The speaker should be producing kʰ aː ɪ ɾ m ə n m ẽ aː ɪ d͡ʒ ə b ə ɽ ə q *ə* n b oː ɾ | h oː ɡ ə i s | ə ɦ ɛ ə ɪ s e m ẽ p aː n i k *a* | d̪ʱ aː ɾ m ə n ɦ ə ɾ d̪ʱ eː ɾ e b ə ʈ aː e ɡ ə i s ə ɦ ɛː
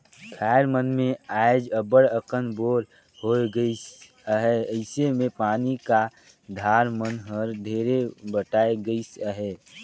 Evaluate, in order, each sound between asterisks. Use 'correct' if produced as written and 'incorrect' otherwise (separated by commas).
correct, correct